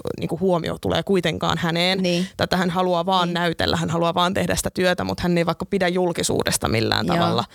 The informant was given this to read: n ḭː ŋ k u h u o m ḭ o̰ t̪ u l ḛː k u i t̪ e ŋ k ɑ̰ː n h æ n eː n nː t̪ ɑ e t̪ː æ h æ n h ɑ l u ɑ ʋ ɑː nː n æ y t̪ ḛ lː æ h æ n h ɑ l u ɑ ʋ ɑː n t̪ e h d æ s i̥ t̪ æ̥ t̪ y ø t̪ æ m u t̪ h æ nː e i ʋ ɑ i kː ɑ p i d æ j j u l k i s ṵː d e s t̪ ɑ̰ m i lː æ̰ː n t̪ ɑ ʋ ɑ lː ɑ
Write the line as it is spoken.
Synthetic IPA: n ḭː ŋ k u h u o m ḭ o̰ t̪ u l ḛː k u i t̪ e ŋ k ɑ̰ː n h æ n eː n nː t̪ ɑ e t̪ː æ h æ n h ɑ l u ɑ ʋ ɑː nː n æ y t̪ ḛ lː æ h æ n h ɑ l u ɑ ʋ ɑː n t̪ e h d æ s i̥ t̪ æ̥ t̪ y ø t̪ æ m u t̪ h æ nː e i ʋ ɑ i kː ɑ p i d æ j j u l k i s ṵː d e s t̪ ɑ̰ m i lː æ̰ː n t̪ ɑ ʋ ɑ lː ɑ